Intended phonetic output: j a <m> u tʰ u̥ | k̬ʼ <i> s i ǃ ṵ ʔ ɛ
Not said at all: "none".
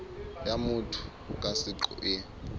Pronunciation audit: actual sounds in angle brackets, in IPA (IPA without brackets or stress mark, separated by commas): m, a